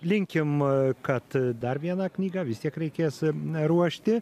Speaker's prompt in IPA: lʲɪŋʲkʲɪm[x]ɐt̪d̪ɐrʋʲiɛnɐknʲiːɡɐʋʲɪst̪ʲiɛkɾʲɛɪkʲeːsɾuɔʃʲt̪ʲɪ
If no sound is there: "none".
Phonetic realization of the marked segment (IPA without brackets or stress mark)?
k